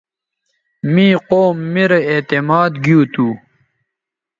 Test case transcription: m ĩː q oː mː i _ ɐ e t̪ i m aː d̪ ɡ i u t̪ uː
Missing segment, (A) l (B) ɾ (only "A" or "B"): B